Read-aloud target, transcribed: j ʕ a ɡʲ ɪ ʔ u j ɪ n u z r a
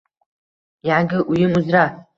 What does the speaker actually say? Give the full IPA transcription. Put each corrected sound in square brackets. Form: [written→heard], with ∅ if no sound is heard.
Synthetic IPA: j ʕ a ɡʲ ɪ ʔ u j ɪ [n→m] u z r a

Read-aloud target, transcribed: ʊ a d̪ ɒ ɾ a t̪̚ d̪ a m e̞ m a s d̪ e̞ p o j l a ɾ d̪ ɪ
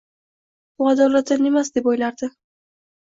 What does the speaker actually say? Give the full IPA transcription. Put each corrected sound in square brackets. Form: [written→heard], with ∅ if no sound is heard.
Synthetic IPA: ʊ a d̪ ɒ [ɾ→l] a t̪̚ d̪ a [m→n] e̞ m a s d̪ e̞ p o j l a ɾ d̪ ɪ

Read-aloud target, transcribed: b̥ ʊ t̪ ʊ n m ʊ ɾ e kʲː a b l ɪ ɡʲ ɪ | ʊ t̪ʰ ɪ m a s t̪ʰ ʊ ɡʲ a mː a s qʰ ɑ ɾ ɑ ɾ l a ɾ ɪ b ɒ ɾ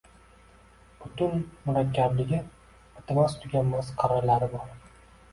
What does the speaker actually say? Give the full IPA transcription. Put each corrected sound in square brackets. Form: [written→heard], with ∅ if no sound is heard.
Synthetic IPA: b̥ ʊ t̪ ʊ n m ʊ ɾ [e→a] kʲː a b l ɪ ɡʲ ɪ | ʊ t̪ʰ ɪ m a s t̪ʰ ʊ ɡʲ a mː a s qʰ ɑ ɾ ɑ ɾ l a ɾ ɪ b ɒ ɾ

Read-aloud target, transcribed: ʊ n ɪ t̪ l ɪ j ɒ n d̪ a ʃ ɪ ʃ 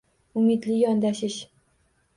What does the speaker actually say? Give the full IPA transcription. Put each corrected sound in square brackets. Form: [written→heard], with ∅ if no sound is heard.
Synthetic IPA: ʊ [n→m] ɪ [t̪→d̪] l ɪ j ɒ n d̪ a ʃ ɪ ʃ

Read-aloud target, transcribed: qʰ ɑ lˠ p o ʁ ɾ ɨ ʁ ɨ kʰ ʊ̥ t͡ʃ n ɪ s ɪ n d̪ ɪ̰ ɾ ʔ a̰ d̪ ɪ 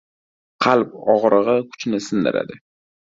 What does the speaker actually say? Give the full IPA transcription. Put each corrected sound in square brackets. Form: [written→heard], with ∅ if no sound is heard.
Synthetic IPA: qʰ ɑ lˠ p [o→ɒ] ʁ ɾ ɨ ʁ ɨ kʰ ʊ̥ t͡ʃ n ɪ s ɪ n d̪ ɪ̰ ɾ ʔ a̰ d̪ ɪ

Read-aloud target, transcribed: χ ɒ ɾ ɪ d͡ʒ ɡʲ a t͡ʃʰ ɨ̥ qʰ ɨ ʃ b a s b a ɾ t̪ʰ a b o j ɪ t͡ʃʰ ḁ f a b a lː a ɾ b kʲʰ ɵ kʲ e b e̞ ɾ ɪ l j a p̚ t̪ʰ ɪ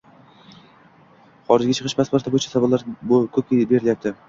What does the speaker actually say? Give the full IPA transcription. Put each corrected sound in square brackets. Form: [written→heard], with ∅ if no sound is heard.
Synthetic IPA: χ ɒ ɾ ɪ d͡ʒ ɡʲ a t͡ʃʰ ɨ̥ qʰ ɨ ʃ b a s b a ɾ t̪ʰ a b o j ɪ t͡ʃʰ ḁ [f→s] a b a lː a ɾ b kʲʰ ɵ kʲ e b e̞ ɾ ɪ l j a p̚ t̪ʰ ɪ

